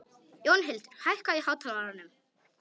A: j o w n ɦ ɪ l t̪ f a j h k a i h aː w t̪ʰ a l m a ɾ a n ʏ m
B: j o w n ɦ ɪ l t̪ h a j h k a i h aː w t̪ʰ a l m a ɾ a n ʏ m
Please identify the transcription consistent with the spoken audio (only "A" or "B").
B